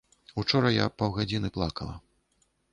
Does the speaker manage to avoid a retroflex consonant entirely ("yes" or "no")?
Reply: no